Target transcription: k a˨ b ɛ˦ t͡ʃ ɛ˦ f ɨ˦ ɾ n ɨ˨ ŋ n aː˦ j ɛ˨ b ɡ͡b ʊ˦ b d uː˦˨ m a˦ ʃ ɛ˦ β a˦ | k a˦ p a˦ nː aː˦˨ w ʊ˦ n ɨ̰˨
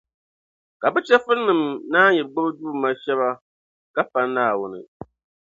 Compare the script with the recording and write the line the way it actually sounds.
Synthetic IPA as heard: k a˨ b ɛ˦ t͡ʃ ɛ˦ f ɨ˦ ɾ n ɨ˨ m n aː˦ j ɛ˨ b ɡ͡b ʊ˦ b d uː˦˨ m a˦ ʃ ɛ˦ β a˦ | k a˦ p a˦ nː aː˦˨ w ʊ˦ n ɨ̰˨